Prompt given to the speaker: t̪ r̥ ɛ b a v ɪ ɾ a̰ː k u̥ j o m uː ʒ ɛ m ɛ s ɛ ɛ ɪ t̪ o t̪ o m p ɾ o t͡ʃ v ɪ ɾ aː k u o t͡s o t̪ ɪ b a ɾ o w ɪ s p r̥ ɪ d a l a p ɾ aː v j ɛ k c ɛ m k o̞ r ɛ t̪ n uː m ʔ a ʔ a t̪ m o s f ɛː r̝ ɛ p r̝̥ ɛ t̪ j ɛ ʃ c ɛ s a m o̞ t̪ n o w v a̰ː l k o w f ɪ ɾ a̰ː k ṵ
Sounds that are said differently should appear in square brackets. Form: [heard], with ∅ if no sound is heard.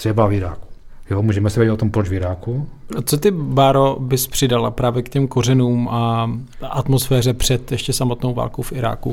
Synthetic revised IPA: t̪ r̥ ɛ b a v ɪ ɾ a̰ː k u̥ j o m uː ʒ ɛ m ɛ s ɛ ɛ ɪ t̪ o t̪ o m p ɾ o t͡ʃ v ɪ ɾ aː k u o t͡s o t̪ ɪ b a ɾ o [b] ɪ s p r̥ ɪ d a l a p ɾ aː v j ɛ k c ɛ m k o̞ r ɛ [∅] n uː m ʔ a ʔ a t̪ m o s f ɛː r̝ ɛ p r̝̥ ɛ t̪ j ɛ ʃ c ɛ s a m o̞ t̪ n o w v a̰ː l k o w f ɪ ɾ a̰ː k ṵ